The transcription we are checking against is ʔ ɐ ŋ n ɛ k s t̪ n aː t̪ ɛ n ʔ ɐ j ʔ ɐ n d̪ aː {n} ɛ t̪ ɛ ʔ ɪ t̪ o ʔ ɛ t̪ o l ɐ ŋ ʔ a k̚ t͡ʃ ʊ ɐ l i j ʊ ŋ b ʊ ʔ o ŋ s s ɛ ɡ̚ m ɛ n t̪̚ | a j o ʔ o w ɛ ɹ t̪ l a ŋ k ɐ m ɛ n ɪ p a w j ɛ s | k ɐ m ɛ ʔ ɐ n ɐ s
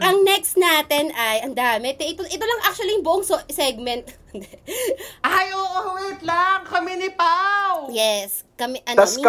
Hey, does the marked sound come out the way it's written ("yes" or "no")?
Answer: no